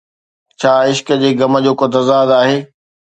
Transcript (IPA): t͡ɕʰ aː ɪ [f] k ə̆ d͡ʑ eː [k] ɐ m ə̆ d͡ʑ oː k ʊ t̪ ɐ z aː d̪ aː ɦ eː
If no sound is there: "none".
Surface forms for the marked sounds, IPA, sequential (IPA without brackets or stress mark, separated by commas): ʃ, ɡ